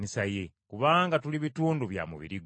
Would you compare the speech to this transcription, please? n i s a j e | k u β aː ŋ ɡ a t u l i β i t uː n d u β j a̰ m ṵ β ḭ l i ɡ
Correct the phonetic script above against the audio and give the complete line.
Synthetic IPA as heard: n i s a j e | k u β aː ŋ ɡ a t u l i β i t uː n d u β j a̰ m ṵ β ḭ ɾ i ɡ